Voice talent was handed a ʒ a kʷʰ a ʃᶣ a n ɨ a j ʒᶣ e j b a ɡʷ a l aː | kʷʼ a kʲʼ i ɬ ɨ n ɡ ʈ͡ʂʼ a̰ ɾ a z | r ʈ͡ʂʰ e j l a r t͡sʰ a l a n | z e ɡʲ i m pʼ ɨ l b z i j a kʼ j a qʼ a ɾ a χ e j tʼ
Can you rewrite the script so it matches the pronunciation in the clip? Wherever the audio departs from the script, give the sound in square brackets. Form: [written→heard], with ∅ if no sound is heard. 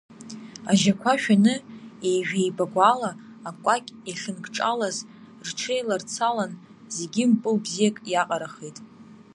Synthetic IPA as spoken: a ʒ a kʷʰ a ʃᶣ a n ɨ [a→e] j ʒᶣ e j b a ɡʷ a l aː | kʷʼ a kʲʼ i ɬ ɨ n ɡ ʈ͡ʂʼ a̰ [ɾ→l] a z | r ʈ͡ʂʰ e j l a r t͡sʰ a l a n | z e ɡʲ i m pʼ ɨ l b z i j a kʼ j a qʼ a ɾ a χ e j tʼ

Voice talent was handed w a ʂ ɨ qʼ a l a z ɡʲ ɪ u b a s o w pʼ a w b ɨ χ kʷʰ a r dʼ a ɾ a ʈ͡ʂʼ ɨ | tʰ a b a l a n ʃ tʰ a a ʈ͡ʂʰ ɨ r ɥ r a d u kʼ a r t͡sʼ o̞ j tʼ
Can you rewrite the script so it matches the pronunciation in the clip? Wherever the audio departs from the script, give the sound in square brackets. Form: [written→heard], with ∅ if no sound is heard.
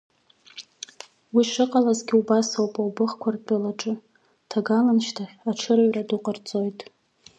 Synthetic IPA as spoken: w [a→i] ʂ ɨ qʼ a l a z ɡʲ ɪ u b a s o w pʼ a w b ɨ χ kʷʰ a r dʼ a [ɾ→l] a ʈ͡ʂʼ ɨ | tʰ a [b→ɡ] a l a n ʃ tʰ a a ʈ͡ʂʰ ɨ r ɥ r a d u [kʼ→qʼ] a r t͡sʼ o̞ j tʼ

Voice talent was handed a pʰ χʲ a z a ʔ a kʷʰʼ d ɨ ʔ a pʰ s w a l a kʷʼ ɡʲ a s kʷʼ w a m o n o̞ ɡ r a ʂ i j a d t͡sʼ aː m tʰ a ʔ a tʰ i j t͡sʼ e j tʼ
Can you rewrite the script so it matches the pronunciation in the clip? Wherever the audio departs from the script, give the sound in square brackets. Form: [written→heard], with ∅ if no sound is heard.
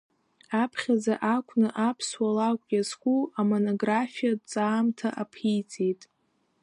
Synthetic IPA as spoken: a pʰ χʲ a z a ʔ a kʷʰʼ [d→n] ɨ ʔ a pʰ s w a l a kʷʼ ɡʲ a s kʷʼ [w→u] a m o n o̞ ɡ r a [ʂ→f] i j a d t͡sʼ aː m tʰ a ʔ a [tʰ→pʰ] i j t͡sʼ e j tʼ

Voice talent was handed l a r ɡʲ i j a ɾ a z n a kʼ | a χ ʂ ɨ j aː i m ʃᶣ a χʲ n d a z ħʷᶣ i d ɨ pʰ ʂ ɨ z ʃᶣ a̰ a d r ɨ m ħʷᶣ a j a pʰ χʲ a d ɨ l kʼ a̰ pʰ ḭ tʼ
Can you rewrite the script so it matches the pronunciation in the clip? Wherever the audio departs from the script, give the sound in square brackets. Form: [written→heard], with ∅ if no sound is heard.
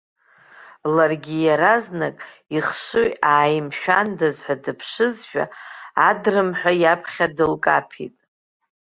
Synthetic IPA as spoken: l a r ɡʲ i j a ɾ a z n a kʼ | [a→i] χ ʂ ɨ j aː [i→j] m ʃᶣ a [χʲ→∅] n d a z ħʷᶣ [i→a] d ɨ pʰ ʂ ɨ z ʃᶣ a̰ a d r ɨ m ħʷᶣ a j a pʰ χʲ a d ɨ l kʼ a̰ pʰ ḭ tʼ

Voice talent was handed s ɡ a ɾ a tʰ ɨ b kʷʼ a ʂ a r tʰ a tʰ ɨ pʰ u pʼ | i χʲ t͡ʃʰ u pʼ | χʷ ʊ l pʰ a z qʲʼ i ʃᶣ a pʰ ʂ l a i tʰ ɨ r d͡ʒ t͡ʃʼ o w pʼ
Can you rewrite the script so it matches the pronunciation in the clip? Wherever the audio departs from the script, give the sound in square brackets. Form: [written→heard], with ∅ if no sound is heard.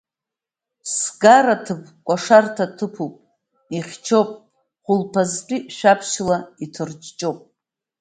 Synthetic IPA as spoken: s ɡ a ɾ a tʰ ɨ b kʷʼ a ʂ a r tʰ a tʰ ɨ pʰ u pʼ | i χʲ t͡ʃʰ [u→o] pʼ | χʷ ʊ l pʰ a z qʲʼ i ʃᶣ a pʰ [ʂ→ʃ] l a i tʰ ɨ r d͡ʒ t͡ʃʼ o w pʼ

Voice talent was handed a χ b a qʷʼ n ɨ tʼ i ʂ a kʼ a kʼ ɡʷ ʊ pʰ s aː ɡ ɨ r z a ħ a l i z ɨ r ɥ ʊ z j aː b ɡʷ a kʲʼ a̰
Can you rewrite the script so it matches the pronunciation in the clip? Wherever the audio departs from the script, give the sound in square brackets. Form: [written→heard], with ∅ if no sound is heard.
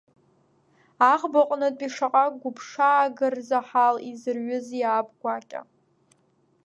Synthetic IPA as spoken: a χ b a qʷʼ n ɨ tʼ i ʂ a [kʼ→qʼ] a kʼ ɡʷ ʊ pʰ [s→ʂ] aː ɡ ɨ r z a ħ a l i z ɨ r ɥ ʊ z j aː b ɡʷ a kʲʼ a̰

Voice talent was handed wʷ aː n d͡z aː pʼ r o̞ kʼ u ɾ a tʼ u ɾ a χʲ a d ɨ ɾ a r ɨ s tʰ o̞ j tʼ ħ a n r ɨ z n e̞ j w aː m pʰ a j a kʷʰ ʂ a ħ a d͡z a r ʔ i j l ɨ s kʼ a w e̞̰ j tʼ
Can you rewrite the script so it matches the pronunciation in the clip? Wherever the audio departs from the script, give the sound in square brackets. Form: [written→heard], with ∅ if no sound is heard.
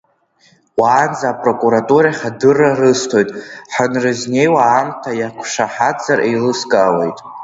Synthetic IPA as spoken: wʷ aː n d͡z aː pʼ r o̞ kʼ u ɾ a tʼ u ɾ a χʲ a d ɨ [ɾ→r] a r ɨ s tʰ o̞ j tʼ ħ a n r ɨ z n e̞ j w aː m [pʰ→tʰ] a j a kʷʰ ʂ a ħ a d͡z a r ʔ [i→e] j l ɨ s kʼ a w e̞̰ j tʼ

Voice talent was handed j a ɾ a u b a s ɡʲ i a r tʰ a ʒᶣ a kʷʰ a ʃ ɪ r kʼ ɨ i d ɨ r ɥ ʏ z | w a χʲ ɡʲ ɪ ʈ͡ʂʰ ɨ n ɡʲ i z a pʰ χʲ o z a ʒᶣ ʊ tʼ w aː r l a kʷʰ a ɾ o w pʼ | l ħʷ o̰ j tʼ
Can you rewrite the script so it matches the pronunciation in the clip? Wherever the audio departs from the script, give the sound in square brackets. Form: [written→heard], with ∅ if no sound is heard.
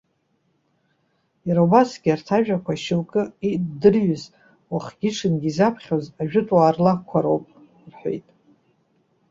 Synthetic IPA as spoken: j a ɾ a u b a s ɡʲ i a r tʰ a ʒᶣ a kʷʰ a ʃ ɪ [r→l] kʼ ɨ i d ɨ r ɥ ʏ z | w a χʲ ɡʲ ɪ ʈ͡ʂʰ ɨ n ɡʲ i z a pʰ χʲ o z a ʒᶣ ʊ tʼ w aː r l a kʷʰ a ɾ o w pʼ | [l→r] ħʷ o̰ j tʼ

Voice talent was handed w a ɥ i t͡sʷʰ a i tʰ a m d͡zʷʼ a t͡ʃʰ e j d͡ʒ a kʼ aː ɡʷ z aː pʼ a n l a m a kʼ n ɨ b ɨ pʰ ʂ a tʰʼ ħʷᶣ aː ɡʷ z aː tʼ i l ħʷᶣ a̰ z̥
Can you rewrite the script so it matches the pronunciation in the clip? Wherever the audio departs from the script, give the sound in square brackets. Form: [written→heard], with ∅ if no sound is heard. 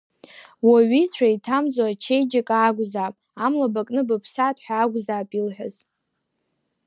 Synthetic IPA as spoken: w a ɥ i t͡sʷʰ a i tʰ a m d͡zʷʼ a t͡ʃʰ e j d͡ʒ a kʼ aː ɡʷ z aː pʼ a [n→m] l a [m→b] a kʼ n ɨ b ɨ pʰ [ʂ→s] a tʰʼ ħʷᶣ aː ɡʷ z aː [tʼ→pʼ] i l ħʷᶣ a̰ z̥

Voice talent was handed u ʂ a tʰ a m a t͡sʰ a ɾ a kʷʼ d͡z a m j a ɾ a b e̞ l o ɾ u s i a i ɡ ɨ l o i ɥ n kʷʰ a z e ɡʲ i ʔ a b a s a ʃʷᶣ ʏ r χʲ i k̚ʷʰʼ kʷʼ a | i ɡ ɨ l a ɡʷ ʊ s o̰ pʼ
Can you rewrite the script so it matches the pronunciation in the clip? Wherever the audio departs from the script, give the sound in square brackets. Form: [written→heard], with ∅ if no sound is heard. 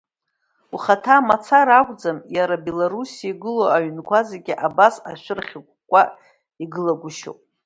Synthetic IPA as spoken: u [ʂ→χ] a tʰ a m a t͡sʰ a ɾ a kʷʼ d͡z a m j a ɾ a b e̞ l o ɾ u s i a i ɡ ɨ l o [i→a] ɥ n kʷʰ a z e ɡʲ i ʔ a b a s a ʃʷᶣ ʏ r χʲ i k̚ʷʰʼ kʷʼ a | i ɡ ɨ l a ɡʷ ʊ [s→ʃ] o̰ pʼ

